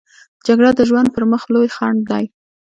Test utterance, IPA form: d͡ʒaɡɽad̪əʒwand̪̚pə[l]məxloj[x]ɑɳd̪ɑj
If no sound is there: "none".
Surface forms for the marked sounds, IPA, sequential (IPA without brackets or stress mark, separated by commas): ɾ, x